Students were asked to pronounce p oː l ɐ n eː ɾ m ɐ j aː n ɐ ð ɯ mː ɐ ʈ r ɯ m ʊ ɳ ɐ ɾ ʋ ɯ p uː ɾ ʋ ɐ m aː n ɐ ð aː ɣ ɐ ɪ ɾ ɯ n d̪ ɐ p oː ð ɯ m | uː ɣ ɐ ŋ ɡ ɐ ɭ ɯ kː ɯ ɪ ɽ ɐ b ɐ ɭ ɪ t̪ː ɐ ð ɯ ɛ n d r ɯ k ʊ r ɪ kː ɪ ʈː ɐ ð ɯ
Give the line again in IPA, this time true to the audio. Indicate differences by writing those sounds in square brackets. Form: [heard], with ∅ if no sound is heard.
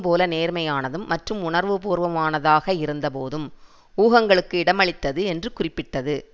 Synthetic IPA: p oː l ɐ n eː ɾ m ɐ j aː n ɐ ð ɯ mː ɐ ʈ r ɯ m ʊ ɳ ɐ ɾ ʋ ɯ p uː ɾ ʋ ɐ m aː n ɐ ð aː ɣ ɐ ɪ ɾ ɯ n d̪ ɐ p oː ð ɯ m | uː ɣ ɐ ŋ ɡ ɐ ɭ ɯ kː ɯ ɪ ɽ ɐ [m] ɐ ɭ ɪ t̪ː ɐ ð ɯ ɛ n d r ɯ k ʊ r ɪ [pː] ɪ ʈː ɐ ð ɯ